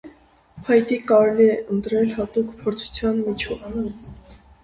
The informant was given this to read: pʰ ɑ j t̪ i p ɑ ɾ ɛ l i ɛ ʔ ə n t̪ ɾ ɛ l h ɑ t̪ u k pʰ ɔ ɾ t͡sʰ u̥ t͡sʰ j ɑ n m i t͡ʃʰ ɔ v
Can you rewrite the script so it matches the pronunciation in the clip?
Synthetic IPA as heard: pʰ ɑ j t̪ i k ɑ ɾ ɛ l i ɛ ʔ ə n t̪ ɾ ɛ l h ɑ t̪ u k pʰ ɔ ɾ t͡sʰ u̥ t͡sʰ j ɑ n m i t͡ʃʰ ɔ v